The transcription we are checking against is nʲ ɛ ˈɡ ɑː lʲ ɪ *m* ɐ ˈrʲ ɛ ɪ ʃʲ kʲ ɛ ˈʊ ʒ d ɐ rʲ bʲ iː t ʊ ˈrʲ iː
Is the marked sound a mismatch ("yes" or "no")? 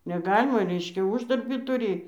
no